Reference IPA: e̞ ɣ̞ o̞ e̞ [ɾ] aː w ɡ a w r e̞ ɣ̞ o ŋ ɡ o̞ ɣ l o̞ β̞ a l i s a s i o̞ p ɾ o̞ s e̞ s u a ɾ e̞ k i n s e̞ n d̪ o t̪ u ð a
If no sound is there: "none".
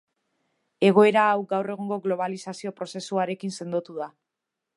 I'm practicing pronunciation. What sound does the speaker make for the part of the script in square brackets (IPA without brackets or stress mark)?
ɾ